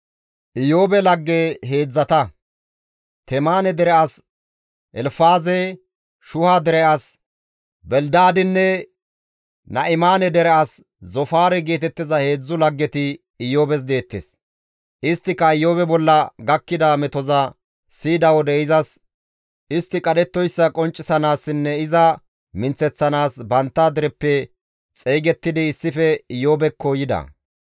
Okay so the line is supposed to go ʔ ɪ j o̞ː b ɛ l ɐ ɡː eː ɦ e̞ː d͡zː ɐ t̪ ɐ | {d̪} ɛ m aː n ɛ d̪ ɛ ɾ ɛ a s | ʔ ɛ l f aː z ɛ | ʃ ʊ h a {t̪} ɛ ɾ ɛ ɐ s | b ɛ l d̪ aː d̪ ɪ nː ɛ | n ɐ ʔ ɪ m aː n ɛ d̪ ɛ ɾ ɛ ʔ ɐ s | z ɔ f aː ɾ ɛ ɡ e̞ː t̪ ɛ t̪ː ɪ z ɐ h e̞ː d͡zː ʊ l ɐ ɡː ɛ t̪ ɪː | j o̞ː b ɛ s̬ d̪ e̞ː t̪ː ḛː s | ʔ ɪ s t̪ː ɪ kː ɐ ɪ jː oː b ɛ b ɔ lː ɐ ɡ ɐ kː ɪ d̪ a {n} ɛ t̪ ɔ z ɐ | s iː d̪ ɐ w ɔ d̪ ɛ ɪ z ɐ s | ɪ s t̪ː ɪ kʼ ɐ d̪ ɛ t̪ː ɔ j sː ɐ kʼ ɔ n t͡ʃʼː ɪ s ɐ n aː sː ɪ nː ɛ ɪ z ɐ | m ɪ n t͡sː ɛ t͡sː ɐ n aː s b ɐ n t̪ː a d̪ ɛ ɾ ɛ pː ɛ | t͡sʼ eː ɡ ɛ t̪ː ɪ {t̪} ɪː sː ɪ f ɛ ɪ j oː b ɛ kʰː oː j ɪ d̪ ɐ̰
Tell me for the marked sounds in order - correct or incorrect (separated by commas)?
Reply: incorrect, incorrect, incorrect, incorrect